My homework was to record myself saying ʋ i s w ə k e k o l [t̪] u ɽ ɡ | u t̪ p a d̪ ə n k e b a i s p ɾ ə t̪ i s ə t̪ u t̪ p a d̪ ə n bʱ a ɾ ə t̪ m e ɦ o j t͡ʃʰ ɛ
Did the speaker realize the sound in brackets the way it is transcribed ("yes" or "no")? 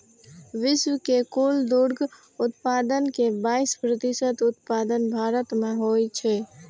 no